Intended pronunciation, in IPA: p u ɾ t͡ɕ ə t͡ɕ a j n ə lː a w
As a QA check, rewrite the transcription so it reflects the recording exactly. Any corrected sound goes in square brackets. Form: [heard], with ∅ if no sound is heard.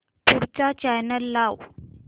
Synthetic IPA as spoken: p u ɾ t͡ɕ [a] t͡ɕ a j n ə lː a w